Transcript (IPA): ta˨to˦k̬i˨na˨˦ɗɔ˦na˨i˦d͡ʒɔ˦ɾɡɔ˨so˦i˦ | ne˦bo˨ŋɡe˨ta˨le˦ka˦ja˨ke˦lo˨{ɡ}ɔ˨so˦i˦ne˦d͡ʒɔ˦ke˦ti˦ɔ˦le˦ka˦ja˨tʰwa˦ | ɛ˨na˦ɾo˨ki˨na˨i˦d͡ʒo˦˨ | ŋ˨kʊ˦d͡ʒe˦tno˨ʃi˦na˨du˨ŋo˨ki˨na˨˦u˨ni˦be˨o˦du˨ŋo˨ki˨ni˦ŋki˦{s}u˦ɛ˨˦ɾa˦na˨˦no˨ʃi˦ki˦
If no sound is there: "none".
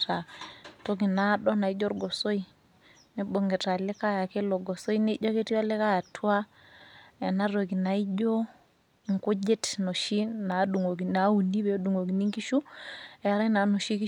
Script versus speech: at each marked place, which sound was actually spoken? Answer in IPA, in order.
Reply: ɡ, ʃ

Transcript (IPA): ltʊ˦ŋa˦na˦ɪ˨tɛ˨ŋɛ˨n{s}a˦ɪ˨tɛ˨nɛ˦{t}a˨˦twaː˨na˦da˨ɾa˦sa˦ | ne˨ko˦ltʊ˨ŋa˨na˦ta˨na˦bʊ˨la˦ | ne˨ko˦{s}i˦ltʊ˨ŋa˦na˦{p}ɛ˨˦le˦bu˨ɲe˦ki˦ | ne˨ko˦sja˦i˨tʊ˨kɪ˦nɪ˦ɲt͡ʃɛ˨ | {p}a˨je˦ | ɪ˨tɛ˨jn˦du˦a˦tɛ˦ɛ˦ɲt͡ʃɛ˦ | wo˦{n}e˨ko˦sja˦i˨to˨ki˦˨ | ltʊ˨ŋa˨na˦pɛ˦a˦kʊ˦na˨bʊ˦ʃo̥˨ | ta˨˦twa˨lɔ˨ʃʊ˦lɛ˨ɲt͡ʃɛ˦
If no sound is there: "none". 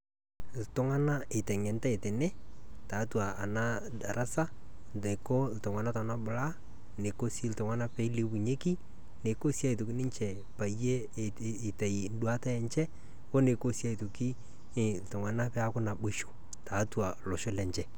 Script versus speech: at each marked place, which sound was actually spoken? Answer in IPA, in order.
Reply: t, t, s, p, p, n

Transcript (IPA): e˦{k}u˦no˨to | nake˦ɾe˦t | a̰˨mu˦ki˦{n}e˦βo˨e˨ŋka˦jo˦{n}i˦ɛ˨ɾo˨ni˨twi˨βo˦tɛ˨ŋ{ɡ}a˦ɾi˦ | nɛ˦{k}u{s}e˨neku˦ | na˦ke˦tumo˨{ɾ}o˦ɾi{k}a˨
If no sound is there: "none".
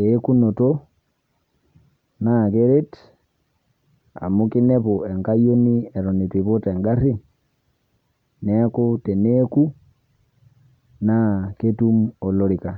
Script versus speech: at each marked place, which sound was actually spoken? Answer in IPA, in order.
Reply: k, n, n, ɡ, k, t, l, k

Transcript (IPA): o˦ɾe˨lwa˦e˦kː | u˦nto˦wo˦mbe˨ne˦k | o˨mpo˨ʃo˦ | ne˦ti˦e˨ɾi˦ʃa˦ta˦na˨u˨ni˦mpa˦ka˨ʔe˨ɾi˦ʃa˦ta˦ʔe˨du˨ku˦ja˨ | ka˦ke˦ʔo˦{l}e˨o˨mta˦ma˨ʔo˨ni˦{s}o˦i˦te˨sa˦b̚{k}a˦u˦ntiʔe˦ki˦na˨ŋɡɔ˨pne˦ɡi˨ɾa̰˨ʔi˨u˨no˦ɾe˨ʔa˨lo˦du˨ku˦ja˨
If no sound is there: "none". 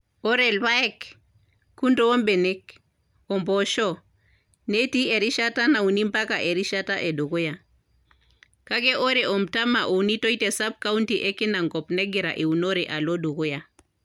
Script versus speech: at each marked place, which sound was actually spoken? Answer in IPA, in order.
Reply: ɾ, t, k

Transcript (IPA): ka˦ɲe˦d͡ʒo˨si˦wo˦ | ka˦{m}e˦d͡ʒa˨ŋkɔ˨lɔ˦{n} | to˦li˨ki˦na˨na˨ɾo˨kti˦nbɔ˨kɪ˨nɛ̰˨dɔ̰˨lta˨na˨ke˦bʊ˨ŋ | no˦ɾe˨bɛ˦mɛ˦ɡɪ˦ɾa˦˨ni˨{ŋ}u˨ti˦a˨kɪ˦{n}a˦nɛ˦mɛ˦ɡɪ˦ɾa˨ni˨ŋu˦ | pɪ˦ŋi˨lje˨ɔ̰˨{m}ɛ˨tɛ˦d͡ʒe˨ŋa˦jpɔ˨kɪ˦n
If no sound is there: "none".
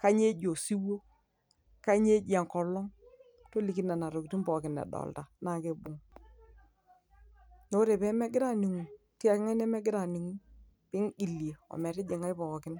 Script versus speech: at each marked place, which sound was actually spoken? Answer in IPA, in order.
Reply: ɲ, ŋ, ŋ, ŋ, m

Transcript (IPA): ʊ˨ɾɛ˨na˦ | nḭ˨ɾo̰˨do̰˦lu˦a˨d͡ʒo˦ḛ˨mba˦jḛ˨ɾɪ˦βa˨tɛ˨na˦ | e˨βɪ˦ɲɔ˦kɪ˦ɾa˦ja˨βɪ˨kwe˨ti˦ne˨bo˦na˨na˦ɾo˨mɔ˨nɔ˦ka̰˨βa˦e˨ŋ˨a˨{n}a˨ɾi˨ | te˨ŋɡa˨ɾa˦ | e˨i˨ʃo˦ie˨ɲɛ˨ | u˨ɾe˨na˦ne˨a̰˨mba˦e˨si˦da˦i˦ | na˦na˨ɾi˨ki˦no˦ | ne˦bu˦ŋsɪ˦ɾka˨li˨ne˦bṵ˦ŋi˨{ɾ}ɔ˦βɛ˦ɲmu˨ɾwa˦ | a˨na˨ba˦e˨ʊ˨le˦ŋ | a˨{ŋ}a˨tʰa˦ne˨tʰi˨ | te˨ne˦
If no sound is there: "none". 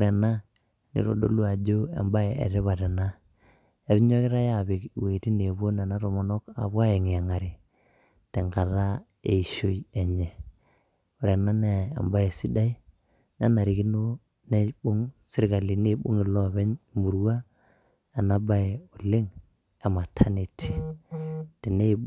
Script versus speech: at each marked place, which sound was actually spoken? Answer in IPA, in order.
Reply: ŋ, l, m

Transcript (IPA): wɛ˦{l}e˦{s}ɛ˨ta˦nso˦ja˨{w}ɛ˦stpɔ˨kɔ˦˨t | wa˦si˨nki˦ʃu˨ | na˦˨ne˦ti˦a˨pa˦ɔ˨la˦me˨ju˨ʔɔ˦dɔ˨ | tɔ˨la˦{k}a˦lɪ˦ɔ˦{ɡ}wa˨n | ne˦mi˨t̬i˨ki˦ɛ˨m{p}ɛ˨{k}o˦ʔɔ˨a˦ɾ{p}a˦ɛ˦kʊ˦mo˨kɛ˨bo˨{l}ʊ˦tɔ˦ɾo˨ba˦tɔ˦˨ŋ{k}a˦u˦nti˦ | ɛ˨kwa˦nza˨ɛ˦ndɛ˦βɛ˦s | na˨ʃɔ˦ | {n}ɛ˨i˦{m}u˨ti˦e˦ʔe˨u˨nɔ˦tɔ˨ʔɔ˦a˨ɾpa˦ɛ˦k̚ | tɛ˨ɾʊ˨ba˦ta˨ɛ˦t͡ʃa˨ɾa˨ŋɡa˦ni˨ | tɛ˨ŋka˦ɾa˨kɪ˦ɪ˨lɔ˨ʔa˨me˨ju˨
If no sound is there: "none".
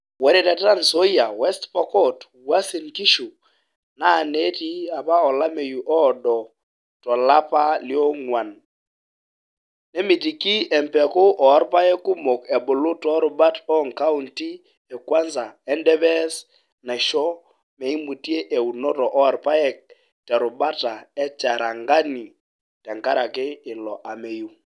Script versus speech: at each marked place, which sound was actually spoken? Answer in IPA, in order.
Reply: ɾ, t, w, p, ŋ, p, k, p, l, k, m, m

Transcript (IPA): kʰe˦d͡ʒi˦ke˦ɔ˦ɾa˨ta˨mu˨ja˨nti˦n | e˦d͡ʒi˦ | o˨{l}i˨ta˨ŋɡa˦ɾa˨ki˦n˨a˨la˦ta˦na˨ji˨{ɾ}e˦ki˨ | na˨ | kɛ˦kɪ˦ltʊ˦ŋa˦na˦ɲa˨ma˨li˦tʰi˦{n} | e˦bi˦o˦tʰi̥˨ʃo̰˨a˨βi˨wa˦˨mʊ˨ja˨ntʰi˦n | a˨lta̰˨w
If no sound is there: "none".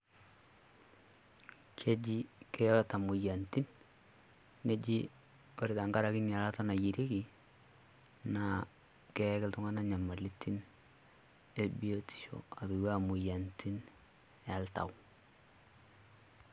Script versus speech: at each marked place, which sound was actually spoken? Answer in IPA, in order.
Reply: ɾ, ɾ, n

